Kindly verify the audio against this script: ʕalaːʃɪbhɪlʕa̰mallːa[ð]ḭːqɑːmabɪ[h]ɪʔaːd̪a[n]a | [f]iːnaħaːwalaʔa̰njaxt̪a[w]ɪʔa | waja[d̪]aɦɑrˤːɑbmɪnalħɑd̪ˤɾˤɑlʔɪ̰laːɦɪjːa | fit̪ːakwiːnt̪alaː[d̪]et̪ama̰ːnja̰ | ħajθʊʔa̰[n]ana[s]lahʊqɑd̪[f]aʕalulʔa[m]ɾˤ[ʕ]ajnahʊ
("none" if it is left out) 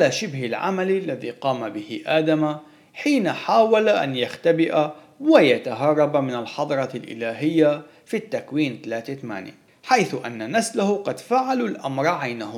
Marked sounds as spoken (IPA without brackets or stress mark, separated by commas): ð, h, m, ħ, b, t̪, t̪, nː, s, f, m, ʕ